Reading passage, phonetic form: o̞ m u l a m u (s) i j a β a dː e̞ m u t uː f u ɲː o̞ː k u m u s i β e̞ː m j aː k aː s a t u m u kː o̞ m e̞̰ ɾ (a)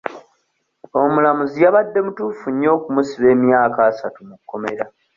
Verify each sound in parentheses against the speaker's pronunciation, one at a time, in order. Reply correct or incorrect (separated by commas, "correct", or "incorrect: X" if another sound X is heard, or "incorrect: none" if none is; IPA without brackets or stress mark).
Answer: incorrect: z, correct